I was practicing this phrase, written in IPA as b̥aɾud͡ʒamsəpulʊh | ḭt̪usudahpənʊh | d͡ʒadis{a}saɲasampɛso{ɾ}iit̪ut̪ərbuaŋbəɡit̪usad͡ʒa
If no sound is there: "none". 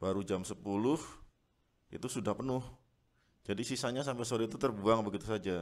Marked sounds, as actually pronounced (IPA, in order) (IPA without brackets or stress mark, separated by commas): i, ɾ